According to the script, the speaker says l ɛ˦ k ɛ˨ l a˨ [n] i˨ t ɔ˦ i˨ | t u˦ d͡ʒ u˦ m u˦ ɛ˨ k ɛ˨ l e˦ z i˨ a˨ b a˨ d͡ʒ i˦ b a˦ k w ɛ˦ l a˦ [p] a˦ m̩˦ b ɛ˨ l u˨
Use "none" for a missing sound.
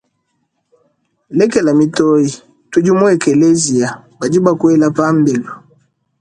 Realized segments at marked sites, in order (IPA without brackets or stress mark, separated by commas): m, p